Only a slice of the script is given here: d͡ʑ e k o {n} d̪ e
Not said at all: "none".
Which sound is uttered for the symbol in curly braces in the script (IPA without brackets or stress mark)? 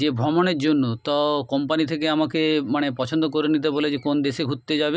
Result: n